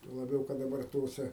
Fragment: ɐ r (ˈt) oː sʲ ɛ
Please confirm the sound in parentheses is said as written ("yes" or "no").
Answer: yes